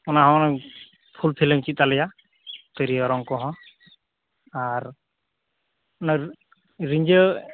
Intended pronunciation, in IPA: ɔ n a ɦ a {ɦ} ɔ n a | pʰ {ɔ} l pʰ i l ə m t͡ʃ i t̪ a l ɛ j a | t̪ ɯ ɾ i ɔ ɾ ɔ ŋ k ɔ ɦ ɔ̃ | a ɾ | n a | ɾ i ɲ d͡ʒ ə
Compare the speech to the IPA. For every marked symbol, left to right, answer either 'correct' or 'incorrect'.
incorrect, incorrect

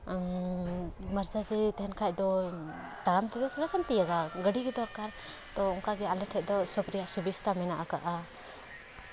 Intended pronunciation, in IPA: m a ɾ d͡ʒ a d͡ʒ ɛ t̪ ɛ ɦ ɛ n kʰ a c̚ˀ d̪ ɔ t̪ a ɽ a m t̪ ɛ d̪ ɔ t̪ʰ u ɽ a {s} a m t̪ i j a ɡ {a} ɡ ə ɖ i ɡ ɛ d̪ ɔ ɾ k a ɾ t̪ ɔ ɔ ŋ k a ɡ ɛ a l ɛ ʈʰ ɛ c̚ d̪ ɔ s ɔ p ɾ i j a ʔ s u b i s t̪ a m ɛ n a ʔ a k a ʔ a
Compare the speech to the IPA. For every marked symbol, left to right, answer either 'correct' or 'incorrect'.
correct, correct

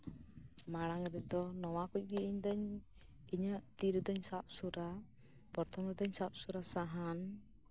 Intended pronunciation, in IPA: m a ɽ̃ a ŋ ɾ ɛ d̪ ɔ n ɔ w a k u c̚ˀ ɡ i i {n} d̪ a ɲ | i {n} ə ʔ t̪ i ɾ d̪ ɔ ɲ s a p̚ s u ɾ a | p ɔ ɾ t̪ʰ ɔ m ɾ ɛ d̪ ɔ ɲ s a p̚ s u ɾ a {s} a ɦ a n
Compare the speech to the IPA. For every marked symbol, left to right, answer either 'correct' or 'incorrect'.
incorrect, incorrect, correct

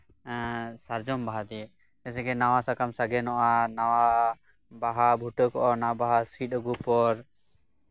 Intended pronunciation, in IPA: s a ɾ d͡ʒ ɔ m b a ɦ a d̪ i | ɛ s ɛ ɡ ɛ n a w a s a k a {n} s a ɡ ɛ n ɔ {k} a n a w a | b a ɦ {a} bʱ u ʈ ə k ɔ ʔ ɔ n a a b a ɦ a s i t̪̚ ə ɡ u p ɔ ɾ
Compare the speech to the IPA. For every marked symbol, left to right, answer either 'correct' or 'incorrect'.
incorrect, incorrect, correct

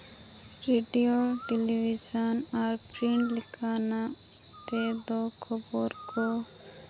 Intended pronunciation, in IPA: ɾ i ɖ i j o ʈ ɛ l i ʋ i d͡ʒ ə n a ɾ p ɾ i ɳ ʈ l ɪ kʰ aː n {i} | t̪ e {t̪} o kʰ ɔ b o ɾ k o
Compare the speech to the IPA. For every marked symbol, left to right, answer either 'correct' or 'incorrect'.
incorrect, incorrect

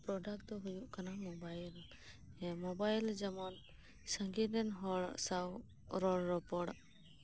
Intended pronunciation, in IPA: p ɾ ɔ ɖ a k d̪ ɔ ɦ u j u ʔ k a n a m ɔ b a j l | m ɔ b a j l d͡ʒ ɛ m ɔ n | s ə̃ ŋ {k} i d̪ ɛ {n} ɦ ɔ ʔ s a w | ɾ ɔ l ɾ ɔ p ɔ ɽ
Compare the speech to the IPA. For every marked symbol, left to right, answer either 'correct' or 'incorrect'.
incorrect, correct

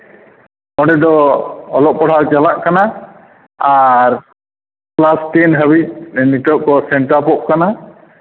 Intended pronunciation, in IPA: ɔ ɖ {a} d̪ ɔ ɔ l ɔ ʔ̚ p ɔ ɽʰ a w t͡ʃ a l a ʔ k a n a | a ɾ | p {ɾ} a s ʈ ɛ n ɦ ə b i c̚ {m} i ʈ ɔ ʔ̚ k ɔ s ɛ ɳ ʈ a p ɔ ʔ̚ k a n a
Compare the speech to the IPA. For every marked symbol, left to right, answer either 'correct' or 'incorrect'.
incorrect, incorrect, incorrect

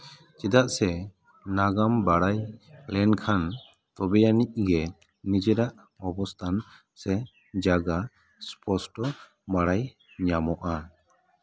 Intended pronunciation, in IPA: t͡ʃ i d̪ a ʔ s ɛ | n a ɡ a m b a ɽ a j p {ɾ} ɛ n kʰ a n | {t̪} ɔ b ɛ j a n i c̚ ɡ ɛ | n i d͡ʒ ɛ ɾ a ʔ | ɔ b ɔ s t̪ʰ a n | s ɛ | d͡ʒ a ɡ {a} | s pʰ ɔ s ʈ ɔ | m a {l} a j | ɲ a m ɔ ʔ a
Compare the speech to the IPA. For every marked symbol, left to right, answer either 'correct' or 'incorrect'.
incorrect, correct, correct, incorrect

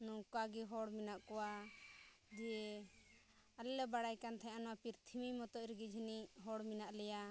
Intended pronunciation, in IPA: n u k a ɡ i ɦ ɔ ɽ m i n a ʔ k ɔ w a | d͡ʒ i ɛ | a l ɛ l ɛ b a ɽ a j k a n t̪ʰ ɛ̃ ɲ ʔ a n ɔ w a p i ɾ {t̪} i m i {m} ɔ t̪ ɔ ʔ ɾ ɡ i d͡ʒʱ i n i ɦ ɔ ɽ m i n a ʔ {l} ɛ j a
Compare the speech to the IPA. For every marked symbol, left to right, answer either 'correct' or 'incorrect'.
incorrect, correct, correct

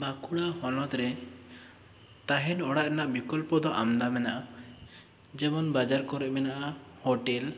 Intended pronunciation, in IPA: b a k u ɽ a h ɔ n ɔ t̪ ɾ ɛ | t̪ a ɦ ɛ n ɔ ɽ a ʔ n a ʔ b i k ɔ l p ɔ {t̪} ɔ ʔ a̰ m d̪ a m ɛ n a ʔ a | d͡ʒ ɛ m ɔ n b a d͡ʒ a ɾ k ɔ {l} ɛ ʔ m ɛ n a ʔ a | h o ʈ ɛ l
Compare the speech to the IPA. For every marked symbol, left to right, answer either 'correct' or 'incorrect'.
incorrect, incorrect

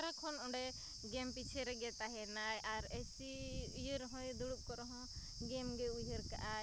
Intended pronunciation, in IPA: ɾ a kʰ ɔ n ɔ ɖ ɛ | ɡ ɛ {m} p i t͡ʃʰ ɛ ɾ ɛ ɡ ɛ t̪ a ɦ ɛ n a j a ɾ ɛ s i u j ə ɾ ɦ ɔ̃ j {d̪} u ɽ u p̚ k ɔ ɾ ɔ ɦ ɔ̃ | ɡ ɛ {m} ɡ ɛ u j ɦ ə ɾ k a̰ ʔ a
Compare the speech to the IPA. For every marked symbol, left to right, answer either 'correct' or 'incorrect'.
correct, correct, correct

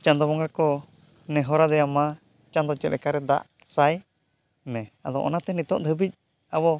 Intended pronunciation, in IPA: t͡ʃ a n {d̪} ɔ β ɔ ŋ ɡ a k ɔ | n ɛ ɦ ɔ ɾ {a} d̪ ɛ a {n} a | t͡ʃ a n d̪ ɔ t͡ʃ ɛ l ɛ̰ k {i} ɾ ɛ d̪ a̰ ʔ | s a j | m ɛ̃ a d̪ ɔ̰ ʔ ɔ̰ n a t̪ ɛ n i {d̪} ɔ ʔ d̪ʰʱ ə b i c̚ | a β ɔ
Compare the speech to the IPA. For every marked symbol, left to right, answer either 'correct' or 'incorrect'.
correct, correct, incorrect, incorrect, incorrect

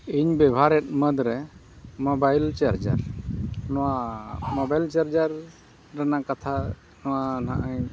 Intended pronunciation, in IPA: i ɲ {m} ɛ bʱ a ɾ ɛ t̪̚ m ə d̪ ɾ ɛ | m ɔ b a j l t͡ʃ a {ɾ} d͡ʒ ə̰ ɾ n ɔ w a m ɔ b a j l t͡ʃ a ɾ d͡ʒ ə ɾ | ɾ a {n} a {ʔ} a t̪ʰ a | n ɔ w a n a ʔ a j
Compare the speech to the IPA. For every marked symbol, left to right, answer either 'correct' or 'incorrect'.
incorrect, correct, correct, incorrect

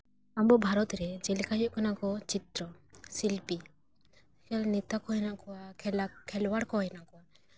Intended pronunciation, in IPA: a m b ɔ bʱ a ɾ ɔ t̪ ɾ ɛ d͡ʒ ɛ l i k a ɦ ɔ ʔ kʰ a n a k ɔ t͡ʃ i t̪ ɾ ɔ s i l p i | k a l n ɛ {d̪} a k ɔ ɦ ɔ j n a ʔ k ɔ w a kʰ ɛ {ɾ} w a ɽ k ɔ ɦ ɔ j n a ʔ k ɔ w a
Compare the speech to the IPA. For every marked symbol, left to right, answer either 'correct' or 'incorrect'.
incorrect, incorrect

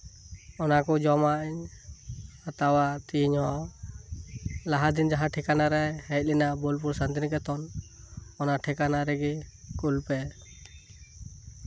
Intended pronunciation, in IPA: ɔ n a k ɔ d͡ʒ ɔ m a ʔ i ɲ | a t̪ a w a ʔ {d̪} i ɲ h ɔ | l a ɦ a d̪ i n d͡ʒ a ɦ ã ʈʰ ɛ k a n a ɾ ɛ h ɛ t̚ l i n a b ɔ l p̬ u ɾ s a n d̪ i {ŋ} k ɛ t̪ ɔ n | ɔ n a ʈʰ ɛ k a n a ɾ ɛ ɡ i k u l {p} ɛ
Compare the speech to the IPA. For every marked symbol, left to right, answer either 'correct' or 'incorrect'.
incorrect, incorrect, correct

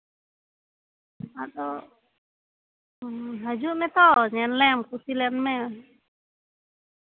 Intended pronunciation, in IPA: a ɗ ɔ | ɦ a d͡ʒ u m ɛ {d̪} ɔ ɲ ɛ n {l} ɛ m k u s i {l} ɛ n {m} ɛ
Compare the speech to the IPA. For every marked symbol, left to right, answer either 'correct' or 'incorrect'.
incorrect, correct, correct, correct

